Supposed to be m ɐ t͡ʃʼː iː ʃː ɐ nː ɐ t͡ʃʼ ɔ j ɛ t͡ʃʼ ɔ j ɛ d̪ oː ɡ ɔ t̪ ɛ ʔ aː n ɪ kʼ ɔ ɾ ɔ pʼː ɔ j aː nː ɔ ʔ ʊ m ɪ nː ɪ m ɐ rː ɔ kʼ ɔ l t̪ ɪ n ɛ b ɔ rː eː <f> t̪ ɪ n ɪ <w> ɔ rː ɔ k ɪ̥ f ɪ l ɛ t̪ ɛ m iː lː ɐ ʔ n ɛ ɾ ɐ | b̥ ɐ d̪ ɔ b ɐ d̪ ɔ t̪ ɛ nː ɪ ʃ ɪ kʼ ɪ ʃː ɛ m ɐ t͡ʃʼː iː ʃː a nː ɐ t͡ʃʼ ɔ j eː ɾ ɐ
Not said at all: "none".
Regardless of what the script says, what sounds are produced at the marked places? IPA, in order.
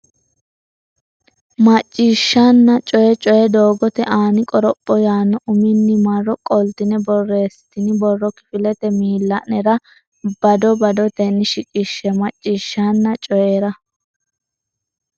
s, b

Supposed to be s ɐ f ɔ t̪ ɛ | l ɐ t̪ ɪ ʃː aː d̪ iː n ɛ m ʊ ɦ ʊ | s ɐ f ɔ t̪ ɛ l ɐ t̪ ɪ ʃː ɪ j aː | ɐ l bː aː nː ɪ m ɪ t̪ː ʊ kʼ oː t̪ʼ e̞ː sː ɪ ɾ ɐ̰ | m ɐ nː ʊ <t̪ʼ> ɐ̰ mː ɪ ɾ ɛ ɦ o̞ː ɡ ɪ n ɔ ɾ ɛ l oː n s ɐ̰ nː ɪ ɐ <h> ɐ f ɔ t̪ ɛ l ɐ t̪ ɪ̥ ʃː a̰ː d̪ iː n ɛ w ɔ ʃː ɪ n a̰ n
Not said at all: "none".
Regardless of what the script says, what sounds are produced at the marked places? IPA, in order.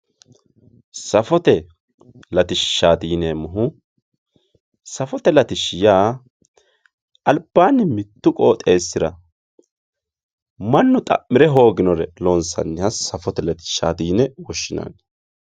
t̪ʼ, s

